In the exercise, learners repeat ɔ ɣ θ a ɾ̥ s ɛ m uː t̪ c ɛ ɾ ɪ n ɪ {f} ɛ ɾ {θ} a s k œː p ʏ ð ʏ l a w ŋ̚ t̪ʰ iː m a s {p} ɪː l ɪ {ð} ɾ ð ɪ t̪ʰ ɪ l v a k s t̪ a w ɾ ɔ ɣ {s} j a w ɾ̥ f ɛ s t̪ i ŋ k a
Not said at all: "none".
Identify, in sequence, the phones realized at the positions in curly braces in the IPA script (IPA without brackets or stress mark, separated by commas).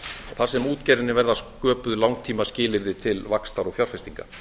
v, ð, c, none, f